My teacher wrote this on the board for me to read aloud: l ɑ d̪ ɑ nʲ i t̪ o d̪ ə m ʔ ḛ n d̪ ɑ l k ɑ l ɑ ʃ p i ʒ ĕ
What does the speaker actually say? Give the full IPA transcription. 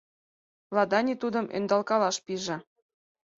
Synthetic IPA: l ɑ d̪ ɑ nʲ i t̪ u d̪ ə m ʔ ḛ n d̪ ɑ l k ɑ l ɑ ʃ p i ʒ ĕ